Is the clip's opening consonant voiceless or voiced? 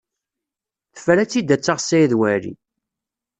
voiceless